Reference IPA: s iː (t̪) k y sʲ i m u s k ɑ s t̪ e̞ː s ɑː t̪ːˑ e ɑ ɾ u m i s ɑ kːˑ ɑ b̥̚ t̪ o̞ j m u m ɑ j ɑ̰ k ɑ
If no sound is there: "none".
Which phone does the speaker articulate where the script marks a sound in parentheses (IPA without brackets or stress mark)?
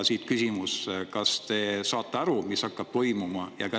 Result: t̪